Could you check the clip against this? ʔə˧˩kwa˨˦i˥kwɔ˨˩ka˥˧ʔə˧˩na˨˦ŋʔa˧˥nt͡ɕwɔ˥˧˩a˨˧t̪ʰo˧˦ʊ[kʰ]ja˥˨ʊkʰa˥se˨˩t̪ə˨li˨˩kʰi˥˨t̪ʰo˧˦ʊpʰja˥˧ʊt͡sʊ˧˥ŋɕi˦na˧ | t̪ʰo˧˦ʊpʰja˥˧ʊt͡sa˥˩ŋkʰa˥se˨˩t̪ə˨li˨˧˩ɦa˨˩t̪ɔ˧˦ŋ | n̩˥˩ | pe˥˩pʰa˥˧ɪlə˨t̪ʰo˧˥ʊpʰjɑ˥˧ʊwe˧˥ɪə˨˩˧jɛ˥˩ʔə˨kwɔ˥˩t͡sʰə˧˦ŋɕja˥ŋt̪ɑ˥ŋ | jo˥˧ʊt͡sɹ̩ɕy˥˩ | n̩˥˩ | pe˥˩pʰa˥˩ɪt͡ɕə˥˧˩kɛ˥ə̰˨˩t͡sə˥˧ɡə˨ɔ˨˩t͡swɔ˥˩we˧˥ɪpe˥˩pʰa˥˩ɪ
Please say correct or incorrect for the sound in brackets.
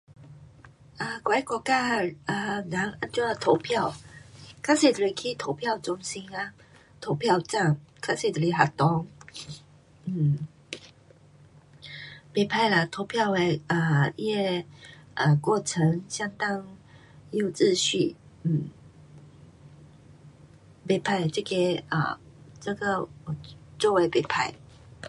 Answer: incorrect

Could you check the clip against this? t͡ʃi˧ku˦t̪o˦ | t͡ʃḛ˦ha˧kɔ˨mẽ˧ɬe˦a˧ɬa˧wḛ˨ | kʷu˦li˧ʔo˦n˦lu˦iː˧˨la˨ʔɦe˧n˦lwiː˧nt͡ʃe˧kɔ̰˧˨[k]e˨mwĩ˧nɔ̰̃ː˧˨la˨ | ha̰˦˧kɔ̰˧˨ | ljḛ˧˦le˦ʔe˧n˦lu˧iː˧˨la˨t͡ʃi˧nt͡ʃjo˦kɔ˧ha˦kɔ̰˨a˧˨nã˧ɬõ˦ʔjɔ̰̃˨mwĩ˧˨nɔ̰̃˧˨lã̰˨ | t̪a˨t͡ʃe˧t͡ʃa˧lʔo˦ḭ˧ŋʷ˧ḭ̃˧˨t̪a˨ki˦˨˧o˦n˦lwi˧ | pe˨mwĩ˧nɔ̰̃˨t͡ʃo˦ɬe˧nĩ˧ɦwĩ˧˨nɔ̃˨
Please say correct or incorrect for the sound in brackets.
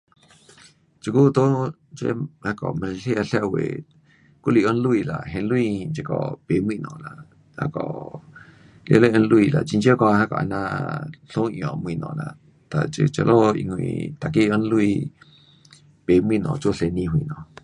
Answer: incorrect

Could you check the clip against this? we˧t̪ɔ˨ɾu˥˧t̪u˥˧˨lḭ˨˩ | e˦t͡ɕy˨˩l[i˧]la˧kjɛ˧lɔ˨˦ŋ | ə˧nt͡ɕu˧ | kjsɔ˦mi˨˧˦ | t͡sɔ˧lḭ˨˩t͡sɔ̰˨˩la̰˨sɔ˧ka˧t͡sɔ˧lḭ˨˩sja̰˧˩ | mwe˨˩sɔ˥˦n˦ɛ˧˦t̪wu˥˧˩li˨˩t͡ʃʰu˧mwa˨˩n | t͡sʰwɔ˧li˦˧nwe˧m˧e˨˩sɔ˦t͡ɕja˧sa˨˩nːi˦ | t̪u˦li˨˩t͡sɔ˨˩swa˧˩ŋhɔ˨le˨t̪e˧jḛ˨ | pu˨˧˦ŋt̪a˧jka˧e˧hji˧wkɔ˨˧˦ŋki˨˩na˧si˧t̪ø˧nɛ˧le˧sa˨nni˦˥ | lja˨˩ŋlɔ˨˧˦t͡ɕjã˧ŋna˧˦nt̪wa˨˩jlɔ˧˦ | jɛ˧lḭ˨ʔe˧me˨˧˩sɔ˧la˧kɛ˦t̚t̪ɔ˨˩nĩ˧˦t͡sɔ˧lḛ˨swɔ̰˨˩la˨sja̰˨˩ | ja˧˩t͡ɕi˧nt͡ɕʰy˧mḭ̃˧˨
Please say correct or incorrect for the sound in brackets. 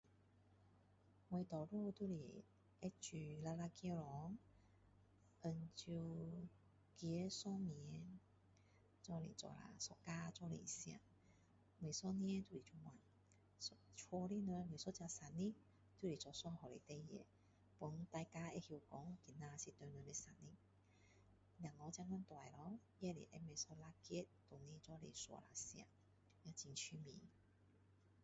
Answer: incorrect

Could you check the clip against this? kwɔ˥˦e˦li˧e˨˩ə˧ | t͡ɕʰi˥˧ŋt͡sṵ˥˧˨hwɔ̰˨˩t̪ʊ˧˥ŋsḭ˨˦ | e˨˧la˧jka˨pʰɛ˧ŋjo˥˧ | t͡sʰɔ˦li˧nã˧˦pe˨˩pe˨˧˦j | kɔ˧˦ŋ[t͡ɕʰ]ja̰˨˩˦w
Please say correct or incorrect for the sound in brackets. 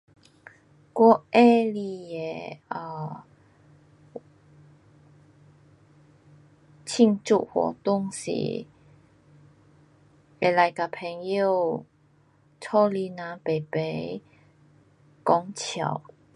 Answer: correct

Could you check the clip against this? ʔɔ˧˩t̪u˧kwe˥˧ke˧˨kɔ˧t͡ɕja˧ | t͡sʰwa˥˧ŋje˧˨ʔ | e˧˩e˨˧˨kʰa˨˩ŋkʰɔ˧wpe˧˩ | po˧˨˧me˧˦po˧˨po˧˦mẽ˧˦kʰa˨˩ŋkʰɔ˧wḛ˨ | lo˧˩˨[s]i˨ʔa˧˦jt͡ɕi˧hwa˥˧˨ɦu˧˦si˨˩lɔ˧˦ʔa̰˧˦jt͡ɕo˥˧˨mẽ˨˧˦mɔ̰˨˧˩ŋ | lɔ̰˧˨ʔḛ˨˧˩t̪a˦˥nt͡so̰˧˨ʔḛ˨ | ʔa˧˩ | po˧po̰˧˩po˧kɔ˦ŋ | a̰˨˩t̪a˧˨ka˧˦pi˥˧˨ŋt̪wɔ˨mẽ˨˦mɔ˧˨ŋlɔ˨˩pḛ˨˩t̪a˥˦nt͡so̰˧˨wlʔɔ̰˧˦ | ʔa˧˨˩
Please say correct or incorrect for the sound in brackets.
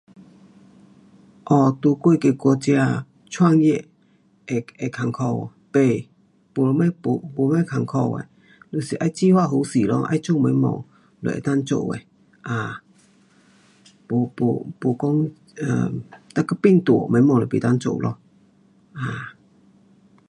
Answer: correct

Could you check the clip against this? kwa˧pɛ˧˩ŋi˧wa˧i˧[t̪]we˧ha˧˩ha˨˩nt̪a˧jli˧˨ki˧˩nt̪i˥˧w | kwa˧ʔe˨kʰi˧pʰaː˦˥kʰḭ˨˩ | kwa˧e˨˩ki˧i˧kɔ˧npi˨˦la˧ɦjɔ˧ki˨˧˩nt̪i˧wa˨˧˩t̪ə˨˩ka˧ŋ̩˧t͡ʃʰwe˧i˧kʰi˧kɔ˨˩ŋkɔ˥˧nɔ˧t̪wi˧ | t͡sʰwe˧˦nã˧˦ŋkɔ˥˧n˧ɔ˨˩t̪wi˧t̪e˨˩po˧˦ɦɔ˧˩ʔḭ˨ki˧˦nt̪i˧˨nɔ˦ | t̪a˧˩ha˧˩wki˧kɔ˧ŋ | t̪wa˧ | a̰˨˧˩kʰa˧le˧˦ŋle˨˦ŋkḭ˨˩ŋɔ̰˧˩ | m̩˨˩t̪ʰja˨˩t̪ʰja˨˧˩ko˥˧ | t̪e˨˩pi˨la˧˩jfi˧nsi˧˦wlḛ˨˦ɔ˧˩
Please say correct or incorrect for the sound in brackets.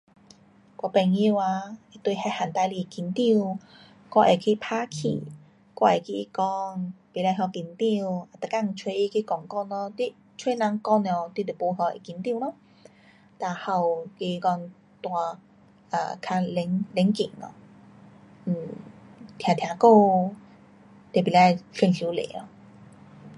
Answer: correct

